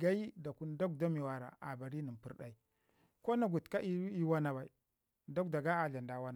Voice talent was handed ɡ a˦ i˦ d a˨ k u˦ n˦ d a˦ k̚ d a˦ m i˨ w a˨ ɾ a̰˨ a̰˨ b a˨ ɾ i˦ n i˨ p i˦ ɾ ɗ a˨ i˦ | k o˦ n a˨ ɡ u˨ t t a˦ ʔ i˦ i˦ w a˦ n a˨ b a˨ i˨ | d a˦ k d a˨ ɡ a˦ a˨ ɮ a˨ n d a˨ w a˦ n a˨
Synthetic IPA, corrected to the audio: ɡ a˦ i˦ d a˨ k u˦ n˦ d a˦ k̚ d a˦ m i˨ w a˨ ɾ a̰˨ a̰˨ b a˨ ɾ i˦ n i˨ p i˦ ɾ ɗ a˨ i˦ | k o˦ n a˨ ɡ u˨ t k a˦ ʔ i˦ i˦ w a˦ n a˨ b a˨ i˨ | d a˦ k d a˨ ɡ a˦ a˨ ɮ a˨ n d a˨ w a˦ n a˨